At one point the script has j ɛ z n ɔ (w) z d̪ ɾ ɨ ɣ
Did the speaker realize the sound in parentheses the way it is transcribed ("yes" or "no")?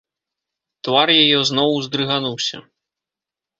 yes